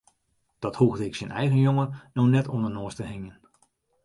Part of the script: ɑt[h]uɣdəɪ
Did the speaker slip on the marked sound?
no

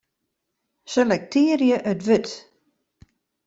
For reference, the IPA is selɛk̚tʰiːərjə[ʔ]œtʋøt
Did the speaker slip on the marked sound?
no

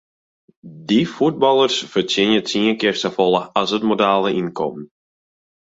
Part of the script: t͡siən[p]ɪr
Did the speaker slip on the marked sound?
yes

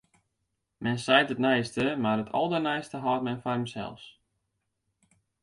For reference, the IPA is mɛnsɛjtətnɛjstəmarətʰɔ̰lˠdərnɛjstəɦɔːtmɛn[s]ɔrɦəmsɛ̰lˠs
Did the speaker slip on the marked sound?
yes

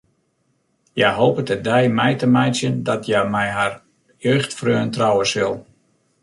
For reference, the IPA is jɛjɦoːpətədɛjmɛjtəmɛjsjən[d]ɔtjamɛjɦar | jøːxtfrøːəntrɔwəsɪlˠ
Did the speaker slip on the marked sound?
no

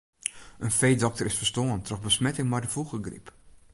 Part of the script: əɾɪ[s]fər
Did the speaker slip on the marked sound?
no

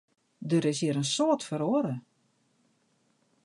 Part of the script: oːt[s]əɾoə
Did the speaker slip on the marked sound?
yes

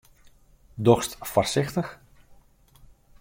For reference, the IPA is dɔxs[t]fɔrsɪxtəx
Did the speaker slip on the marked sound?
no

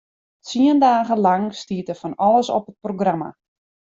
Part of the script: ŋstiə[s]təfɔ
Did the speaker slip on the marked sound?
yes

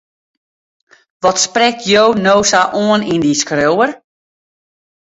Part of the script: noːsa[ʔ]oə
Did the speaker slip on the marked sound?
no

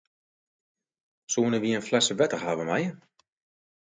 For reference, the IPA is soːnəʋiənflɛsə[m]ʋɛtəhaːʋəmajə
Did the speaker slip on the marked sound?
yes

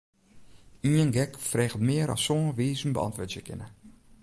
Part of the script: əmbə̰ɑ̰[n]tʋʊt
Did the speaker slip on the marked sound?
no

